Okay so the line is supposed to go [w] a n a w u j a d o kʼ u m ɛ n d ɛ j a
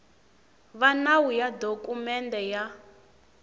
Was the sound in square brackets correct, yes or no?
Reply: no